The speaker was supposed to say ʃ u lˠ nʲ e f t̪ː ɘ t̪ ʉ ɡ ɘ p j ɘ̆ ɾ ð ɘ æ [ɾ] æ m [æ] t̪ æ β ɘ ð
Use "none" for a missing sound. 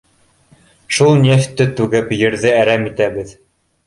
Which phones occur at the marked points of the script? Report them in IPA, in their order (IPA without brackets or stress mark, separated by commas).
ɾ, i